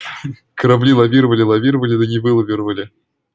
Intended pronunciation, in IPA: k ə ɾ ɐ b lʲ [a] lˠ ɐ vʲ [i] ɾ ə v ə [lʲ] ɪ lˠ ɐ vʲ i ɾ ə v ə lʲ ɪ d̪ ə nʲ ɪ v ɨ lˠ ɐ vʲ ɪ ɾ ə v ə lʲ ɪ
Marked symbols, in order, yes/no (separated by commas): no, yes, yes